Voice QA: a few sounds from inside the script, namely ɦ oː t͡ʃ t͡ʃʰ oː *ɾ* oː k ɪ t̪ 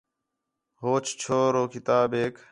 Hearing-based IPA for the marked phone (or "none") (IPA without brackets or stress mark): ɾ